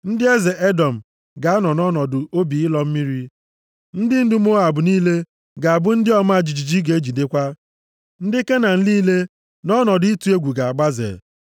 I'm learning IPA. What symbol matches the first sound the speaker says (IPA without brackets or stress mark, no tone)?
n̩